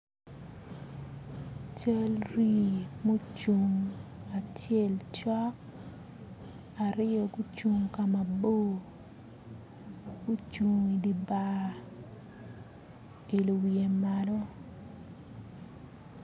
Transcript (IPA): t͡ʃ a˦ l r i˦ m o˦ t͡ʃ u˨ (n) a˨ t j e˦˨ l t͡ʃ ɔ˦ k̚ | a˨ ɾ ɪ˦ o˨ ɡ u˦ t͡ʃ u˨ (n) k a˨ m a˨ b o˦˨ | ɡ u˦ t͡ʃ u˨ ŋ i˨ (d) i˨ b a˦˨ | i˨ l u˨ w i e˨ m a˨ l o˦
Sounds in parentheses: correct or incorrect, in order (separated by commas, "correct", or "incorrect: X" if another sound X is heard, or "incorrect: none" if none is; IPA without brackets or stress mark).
incorrect: ŋ, incorrect: ŋ, correct